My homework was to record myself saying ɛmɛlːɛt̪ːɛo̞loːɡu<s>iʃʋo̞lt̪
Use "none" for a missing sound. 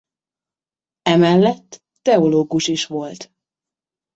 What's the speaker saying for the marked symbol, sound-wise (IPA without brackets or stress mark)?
ʃ